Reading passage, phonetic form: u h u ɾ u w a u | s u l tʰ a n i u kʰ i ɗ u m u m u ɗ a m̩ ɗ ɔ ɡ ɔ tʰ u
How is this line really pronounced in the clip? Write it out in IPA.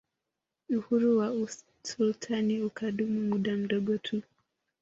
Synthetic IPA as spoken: u h u ɾ u w a u | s u l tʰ a n i u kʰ a ɗ u m u m u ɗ a m̩ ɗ ɔ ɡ ɔ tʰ u